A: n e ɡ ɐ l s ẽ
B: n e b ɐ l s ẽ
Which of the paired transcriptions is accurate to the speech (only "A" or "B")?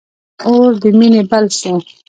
B